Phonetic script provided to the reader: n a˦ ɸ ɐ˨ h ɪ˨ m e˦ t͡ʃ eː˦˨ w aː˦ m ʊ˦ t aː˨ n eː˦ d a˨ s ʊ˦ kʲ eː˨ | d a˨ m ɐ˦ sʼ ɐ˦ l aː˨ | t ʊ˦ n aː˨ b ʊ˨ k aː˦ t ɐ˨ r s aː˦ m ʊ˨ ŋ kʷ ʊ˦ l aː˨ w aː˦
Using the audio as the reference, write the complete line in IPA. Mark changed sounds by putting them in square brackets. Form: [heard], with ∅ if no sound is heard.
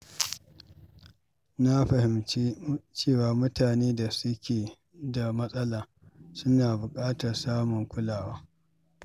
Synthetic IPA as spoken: n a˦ ɸ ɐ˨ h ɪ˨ m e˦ t͡ʃ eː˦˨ w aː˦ m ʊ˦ t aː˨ n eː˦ d a˨ s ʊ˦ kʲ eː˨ | d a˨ m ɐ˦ sʼ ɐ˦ l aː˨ | [s] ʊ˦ n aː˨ b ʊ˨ [kʼ] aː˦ t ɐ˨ r s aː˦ m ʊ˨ ŋ kʷ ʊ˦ l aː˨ w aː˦